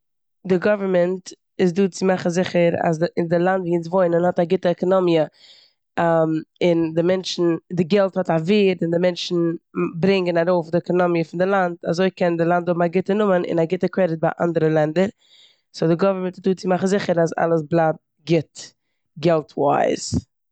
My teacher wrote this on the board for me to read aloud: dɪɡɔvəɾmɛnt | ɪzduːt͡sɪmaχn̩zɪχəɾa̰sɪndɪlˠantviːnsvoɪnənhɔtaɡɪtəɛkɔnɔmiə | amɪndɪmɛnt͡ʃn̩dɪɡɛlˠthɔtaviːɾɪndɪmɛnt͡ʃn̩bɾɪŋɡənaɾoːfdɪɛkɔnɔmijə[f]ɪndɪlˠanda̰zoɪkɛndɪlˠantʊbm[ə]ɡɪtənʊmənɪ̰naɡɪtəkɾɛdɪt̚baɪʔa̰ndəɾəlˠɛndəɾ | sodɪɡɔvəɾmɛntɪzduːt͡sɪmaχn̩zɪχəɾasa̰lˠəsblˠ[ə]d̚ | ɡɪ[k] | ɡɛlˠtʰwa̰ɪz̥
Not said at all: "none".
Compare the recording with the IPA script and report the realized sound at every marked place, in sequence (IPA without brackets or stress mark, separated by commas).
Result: f, a, a, t